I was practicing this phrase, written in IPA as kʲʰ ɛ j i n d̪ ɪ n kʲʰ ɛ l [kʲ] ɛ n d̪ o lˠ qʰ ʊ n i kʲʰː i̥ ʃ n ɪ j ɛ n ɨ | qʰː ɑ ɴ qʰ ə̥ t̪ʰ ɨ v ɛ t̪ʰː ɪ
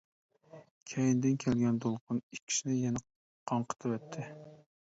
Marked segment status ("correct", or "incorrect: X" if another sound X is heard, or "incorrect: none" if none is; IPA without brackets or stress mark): incorrect: ɡʲ